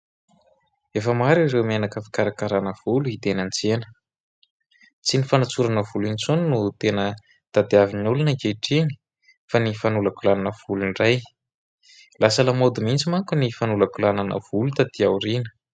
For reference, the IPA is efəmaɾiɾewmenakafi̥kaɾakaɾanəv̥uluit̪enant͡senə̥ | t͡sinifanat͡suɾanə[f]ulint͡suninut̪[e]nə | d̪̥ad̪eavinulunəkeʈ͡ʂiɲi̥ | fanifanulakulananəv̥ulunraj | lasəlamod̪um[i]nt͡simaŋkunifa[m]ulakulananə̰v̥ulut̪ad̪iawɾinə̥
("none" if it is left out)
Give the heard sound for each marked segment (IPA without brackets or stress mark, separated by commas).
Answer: v, e, i, n